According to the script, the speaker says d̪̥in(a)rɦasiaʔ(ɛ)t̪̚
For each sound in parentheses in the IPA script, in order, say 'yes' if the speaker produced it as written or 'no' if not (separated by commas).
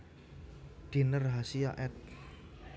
no, yes